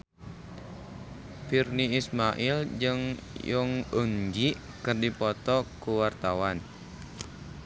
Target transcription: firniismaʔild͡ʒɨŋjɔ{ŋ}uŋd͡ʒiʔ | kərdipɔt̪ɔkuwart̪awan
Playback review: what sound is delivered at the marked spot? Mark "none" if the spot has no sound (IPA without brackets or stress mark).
ŋ